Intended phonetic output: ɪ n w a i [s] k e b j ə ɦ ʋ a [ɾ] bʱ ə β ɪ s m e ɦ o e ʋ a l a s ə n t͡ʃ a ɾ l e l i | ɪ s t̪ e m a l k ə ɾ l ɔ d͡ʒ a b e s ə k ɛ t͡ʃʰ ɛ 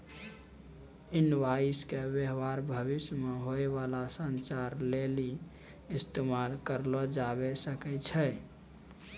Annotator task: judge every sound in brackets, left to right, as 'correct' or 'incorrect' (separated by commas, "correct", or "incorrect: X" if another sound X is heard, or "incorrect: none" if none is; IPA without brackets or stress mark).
correct, correct